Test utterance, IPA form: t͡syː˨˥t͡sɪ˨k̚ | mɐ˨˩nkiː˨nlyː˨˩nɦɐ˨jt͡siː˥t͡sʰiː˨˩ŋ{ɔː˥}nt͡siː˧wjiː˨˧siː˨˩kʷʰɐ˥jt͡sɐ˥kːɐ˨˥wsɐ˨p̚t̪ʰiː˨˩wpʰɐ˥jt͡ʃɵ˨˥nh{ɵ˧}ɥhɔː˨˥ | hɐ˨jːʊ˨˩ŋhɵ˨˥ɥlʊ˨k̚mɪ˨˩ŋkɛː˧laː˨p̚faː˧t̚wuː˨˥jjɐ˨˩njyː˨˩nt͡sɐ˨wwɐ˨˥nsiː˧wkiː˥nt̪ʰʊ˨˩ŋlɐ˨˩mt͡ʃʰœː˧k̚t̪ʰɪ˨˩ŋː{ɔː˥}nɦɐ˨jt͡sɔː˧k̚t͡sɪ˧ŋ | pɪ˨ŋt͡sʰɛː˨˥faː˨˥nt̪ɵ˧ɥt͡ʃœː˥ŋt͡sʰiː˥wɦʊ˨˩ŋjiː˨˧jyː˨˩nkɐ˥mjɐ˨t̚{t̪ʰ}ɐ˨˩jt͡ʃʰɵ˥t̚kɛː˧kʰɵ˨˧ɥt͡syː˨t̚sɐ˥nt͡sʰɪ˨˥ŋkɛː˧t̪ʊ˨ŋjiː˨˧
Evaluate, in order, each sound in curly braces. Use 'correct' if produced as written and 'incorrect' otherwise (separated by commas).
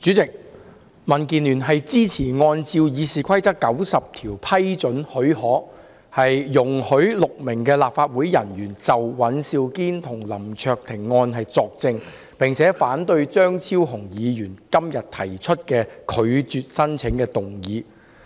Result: incorrect, incorrect, incorrect, correct